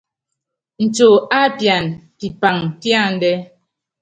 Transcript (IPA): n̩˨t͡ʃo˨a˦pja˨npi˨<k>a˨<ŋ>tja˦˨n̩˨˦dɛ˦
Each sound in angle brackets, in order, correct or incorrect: incorrect, correct

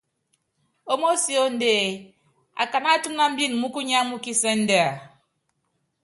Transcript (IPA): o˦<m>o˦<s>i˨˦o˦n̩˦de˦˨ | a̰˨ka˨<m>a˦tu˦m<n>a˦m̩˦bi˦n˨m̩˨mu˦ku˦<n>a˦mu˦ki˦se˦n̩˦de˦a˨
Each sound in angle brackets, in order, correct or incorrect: correct, correct, incorrect, correct, incorrect

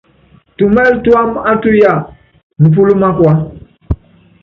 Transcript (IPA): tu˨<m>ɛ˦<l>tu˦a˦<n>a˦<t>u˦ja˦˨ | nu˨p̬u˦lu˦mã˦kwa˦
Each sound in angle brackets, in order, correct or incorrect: correct, correct, incorrect, correct

